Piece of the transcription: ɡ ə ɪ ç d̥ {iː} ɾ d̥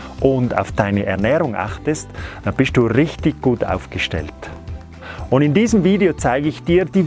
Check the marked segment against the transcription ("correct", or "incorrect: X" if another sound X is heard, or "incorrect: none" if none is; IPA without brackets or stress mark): correct